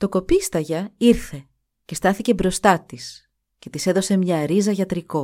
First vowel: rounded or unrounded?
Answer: rounded